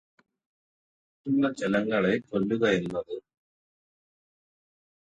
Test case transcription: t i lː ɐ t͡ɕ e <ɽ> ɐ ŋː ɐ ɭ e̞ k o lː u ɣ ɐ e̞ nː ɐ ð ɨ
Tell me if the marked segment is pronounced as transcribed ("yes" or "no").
no